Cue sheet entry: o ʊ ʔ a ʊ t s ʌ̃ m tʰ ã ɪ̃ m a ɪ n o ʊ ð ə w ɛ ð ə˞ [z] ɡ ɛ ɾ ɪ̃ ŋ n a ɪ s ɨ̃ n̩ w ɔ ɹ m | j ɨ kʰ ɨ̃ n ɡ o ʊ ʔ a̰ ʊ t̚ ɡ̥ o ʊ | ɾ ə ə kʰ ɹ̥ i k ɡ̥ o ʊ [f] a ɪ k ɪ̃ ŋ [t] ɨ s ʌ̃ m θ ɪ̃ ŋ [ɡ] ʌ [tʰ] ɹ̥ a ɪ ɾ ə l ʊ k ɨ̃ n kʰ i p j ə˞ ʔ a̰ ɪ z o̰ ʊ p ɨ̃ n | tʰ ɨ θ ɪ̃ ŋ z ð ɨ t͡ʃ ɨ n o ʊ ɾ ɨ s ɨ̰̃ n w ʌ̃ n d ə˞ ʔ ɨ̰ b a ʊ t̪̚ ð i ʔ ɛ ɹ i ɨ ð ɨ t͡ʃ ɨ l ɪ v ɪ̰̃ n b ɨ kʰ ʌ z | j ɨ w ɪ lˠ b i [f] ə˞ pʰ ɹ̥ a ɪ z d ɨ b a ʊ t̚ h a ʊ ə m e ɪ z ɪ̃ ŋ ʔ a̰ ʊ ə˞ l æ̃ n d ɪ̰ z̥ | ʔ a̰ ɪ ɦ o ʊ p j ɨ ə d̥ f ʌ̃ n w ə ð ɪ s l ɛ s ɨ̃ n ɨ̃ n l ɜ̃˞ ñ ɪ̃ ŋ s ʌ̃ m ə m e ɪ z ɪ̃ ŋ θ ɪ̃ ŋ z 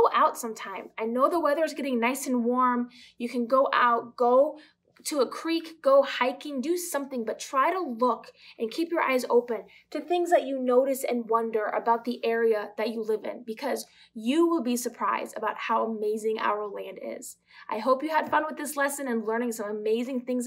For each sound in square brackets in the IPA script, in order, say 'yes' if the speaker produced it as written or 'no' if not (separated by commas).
yes, no, no, no, yes, no